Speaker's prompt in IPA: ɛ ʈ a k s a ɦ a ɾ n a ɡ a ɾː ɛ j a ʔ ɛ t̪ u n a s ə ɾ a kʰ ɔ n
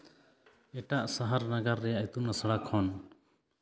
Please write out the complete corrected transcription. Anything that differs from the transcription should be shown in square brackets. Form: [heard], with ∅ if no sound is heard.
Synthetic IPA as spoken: ɛ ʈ a [ʔ] s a ɦ a ɾ n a ɡ a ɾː ɛ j a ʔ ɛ t̪ u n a s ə [ɽ] a kʰ ɔ n